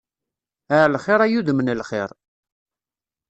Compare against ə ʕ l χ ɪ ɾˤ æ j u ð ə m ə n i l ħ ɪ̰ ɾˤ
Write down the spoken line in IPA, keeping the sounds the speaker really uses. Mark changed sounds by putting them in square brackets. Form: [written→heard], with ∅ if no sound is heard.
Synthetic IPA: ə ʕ l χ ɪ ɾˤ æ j u ð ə m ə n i l [ħ→χ] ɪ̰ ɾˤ

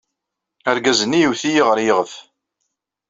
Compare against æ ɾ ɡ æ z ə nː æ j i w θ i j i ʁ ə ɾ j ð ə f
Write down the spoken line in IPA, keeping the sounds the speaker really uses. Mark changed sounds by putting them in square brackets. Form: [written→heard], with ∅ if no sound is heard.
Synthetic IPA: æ ɾ ɡ æ z ə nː [æ→i] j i w θ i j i ʁ ə ɾ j [ð→ʁ] ə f

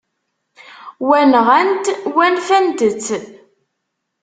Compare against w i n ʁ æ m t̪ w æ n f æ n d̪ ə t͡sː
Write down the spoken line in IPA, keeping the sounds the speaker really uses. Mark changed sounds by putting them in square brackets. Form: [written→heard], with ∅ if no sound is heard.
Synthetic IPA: w [i→æ] n ʁ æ [m→n] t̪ w æ n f æ n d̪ ə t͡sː

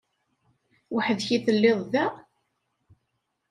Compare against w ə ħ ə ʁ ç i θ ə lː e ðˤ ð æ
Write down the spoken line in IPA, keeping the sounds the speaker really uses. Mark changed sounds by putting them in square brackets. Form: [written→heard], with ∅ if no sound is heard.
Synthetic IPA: w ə ħ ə [ʁ→ð] ç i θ ə lː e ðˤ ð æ

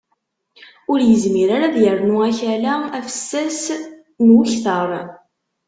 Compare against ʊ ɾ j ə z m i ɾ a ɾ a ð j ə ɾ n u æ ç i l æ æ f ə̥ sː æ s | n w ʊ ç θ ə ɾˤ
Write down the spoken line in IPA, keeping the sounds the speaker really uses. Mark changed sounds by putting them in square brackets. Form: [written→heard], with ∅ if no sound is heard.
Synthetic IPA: ʊ ɾ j ə z m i ɾ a ɾ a ð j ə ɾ n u æ ç [i→æ] l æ æ f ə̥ sː æ s | n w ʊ ç θ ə ɾˤ

